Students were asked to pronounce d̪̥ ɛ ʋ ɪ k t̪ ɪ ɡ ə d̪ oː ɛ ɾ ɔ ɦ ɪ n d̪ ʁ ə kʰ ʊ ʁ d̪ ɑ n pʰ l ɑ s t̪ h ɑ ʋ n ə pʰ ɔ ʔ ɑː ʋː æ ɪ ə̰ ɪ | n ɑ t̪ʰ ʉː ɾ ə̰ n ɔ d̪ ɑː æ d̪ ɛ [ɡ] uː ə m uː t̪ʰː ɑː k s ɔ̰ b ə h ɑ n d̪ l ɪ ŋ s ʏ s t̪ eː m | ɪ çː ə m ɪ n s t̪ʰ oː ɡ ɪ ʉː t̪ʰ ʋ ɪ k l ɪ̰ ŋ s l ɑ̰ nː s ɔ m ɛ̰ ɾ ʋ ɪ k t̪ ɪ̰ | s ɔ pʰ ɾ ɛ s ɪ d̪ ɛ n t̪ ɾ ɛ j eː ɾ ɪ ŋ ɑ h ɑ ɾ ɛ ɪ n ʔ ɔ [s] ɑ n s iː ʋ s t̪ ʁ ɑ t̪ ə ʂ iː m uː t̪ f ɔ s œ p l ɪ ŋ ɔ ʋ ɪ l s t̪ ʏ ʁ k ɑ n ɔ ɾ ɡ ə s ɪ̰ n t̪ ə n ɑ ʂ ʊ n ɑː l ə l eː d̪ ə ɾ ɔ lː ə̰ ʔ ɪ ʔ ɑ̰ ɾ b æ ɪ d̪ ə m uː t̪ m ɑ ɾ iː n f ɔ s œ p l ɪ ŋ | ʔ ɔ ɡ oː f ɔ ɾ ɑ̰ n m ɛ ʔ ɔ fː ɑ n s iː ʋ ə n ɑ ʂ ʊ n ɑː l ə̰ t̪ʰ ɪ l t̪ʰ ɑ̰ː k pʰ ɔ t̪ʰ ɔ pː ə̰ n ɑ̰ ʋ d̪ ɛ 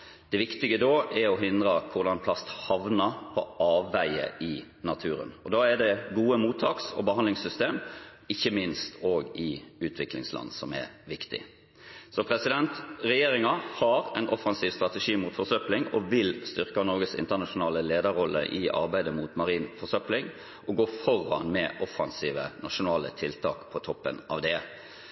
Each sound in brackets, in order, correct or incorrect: correct, incorrect: f

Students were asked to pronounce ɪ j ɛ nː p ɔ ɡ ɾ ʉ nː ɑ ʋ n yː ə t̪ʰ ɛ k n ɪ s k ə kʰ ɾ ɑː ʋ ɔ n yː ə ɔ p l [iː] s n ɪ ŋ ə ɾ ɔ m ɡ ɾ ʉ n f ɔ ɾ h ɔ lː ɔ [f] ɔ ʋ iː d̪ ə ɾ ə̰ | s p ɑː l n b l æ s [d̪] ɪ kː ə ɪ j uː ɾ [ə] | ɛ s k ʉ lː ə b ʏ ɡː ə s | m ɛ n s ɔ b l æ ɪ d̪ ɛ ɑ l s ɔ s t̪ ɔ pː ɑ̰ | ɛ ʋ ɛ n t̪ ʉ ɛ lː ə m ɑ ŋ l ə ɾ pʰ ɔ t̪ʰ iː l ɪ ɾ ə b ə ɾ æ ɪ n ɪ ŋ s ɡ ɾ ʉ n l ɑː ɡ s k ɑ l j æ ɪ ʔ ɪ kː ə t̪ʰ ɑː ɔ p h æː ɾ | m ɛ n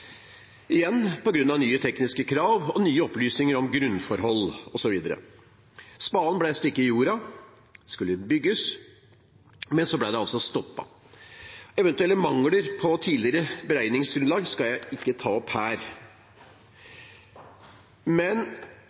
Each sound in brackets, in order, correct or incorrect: incorrect: yː, incorrect: s, incorrect: t̪, incorrect: ɑ

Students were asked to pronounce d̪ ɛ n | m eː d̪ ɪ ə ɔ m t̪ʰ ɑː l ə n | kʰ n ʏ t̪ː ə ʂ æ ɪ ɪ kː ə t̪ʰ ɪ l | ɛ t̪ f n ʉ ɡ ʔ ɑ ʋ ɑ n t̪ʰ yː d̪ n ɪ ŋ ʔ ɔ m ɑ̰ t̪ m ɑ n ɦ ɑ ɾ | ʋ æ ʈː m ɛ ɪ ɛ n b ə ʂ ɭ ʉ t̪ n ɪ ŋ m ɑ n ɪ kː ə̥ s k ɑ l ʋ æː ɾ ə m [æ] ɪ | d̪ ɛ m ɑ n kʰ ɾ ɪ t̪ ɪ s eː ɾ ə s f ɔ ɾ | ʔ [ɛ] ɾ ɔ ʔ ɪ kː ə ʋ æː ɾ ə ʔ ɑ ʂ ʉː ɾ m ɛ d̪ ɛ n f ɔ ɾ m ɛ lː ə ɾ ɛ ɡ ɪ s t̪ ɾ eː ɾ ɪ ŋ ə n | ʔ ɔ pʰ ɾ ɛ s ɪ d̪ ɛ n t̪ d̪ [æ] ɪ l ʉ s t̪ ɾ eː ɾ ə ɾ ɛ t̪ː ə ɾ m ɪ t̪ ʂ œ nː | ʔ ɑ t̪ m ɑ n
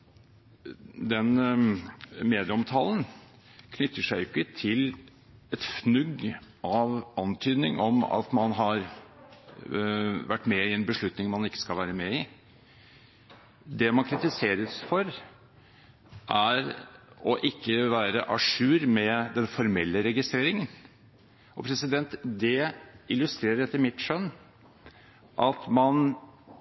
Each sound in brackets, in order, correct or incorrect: incorrect: ɛ, incorrect: æ, incorrect: ɛ

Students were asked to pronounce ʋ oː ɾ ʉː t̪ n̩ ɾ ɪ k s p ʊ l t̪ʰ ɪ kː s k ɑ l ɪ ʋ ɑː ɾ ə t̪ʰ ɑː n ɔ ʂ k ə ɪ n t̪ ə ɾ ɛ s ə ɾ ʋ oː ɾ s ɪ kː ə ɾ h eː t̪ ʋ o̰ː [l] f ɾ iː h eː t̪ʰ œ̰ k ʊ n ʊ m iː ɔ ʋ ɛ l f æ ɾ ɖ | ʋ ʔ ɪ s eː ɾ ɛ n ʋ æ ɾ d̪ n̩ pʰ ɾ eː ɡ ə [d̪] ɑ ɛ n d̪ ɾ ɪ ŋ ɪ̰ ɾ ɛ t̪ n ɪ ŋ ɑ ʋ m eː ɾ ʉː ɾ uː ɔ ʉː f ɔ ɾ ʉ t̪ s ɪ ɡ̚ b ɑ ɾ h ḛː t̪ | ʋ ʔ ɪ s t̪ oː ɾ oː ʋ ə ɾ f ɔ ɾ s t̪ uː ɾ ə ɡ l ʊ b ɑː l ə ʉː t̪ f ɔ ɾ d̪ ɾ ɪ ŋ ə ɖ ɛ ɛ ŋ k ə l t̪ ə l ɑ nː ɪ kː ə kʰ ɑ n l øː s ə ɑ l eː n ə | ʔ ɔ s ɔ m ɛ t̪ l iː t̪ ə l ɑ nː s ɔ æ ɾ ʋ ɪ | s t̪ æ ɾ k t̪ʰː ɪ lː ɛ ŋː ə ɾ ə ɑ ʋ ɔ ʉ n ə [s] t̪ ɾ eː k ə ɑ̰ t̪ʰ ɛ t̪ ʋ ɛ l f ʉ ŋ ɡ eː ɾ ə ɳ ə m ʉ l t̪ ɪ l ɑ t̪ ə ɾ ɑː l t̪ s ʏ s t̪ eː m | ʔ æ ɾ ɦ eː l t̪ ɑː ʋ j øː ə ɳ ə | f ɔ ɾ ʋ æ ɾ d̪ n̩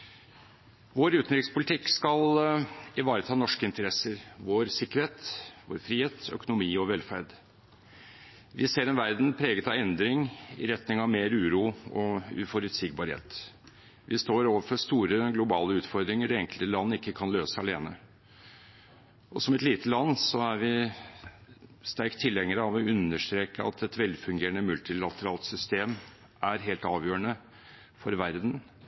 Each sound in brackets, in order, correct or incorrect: incorrect: ɾ, incorrect: t̪, incorrect: ʂ

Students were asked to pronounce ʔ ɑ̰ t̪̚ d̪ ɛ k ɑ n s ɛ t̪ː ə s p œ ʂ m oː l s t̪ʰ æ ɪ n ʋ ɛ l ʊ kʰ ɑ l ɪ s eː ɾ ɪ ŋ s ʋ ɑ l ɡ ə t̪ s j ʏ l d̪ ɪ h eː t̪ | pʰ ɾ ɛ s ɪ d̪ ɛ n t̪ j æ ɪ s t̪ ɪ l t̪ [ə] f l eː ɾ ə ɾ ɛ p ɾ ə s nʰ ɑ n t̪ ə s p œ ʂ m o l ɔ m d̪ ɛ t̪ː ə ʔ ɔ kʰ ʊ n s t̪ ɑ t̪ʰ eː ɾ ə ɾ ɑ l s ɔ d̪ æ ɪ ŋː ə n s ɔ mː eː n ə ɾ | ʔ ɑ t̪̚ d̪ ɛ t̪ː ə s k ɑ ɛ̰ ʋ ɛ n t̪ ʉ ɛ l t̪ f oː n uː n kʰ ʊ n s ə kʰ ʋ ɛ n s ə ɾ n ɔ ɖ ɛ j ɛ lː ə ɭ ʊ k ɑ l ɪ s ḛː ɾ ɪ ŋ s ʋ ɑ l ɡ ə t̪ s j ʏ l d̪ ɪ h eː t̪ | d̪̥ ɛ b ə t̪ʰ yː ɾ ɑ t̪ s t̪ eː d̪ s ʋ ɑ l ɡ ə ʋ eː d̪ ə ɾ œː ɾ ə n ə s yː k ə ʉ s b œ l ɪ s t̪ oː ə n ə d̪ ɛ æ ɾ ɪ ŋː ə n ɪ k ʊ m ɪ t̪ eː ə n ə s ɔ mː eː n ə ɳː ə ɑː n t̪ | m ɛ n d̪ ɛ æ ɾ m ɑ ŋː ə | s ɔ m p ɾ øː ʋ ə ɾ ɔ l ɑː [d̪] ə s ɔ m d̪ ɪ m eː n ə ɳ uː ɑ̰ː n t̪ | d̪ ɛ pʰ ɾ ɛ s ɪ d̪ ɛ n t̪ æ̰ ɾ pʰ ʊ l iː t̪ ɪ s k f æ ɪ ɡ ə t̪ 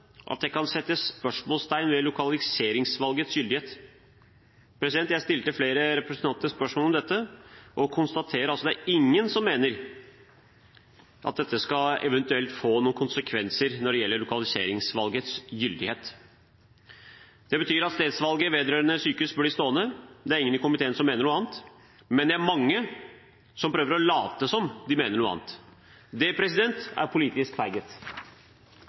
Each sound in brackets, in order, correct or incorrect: correct, incorrect: t̪

